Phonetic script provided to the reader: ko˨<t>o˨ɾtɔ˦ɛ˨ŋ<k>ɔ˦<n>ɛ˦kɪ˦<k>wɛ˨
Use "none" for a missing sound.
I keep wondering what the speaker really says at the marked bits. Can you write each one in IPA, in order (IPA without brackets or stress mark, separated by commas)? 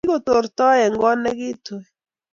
t, ɡ, n, t